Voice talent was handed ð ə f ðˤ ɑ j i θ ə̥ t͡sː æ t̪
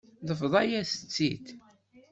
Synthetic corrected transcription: ð ə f ðˤ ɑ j æ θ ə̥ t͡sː i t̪